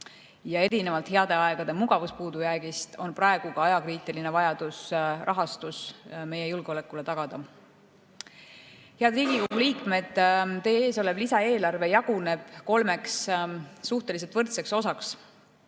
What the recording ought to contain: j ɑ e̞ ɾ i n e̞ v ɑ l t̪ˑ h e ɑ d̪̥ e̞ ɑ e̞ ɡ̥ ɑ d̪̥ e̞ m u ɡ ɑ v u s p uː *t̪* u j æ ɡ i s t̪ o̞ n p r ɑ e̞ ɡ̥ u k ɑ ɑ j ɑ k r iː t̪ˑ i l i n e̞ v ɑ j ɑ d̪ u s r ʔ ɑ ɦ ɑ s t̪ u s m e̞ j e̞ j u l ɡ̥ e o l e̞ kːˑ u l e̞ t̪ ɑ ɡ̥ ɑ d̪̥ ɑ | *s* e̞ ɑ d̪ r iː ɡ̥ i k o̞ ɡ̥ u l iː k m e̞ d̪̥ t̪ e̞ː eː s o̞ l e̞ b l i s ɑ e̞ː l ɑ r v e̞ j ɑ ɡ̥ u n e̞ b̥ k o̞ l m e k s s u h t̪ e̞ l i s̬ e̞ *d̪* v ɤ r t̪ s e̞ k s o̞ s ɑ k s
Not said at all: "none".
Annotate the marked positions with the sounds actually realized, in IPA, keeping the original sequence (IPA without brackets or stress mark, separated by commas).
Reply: d̪, h, t̪